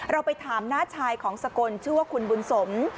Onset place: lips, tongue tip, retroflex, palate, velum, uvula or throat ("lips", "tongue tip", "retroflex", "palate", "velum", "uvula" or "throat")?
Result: tongue tip